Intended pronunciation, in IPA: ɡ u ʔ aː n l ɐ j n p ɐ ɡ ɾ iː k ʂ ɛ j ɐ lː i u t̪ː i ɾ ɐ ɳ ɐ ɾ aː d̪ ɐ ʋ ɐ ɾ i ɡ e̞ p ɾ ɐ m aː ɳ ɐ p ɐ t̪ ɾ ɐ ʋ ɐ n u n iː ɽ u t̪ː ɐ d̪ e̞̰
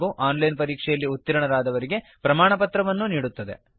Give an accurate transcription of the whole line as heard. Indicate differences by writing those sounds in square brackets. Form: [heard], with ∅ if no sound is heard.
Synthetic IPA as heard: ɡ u ʔ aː n l ɐ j n p ɐ [∅] ɾ iː k ʂ ɛ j ɐ lː i u t̪ː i ɾ ɐ ɳ ɐ ɾ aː d̪ ɐ ʋ ɐ ɾ i ɡ e̞ p ɾ ɐ m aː ɳ ɐ p ɐ t̪ ɾ ɐ ʋ ɐ [nː] u n iː ɽ u t̪ː ɐ d̪ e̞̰